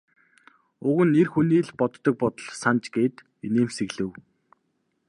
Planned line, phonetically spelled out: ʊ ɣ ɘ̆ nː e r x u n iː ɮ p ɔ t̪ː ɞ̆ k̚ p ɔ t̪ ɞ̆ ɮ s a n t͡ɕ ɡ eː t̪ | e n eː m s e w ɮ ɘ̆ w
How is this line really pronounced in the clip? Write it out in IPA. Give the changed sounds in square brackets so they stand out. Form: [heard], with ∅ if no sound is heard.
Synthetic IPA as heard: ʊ ɣ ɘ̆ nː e r x u n iː ɮ p ɔ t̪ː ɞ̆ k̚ p ɔ t̪ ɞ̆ ɮ s a n t͡ɕ ɡ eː t̪ | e n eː m s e [ɣ] ɮ ɘ̆ w